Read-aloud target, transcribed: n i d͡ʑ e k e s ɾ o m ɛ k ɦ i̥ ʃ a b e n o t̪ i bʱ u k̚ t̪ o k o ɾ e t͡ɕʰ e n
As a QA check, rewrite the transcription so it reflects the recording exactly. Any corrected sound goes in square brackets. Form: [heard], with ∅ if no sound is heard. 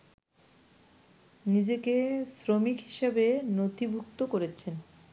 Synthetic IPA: n i d͡ʑ e k e s ɾ o m [i] k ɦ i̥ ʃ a b e n o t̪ i bʱ u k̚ t̪ o k o ɾ e t͡ɕʰ e n